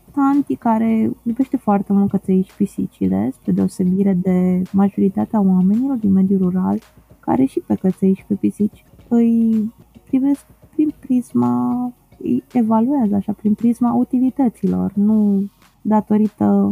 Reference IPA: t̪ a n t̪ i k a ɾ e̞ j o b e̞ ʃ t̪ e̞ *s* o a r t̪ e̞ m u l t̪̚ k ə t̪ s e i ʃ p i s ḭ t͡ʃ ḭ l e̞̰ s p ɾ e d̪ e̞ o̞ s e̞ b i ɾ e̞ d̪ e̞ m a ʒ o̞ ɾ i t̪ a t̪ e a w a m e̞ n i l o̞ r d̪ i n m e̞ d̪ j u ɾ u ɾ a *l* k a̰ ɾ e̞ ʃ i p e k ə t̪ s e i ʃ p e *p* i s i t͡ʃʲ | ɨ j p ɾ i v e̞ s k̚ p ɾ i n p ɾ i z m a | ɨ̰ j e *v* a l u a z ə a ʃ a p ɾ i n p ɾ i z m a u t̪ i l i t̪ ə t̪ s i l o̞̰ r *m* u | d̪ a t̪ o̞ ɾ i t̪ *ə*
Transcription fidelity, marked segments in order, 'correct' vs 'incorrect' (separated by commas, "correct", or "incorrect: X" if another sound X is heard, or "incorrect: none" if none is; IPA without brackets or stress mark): incorrect: f, correct, correct, correct, incorrect: n, correct